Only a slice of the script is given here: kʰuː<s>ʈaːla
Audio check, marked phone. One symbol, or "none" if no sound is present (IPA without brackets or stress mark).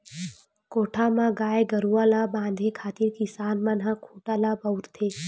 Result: none